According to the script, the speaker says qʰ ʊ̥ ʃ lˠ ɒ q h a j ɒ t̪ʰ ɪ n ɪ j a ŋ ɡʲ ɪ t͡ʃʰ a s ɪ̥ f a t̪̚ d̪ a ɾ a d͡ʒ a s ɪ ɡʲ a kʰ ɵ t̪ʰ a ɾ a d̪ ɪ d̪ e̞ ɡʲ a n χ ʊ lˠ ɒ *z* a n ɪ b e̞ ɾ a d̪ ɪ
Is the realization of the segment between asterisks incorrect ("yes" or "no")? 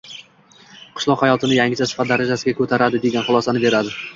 yes